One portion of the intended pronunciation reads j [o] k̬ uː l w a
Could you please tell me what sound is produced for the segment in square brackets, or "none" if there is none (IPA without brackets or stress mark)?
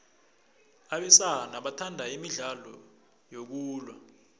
o